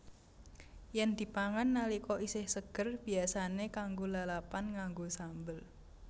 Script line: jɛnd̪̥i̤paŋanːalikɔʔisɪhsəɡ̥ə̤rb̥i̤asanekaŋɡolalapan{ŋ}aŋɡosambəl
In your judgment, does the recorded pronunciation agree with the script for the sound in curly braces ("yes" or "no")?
yes